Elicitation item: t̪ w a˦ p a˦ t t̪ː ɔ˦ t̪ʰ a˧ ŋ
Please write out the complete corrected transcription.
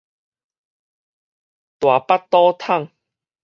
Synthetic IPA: t̪ w a˨˩ p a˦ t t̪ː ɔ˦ t̪ʰ a˥˨ ŋ